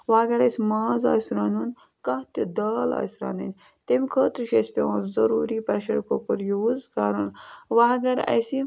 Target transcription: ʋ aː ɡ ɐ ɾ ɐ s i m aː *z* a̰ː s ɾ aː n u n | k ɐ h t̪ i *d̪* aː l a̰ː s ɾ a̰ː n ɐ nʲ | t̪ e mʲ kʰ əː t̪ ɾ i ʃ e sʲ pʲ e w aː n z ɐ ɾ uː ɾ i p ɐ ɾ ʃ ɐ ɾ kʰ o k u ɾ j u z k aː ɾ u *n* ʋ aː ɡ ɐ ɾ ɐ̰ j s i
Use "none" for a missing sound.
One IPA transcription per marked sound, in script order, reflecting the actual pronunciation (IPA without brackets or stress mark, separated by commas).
z, d̪, n